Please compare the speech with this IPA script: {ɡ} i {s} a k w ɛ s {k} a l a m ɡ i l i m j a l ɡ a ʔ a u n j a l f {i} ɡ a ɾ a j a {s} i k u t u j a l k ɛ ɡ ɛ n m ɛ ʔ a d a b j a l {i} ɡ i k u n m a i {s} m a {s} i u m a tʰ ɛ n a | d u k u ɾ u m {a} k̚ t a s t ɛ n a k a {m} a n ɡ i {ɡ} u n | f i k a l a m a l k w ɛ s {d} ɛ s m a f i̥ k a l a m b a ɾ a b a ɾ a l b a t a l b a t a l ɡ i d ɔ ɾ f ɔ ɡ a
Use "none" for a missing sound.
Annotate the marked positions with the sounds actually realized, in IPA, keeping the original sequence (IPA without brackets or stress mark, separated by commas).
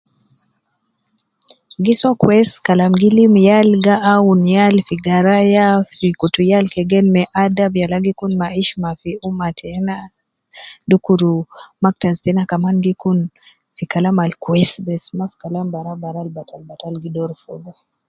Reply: ɡ, s, k, i, f, a, ʃ, f, a, m, k, b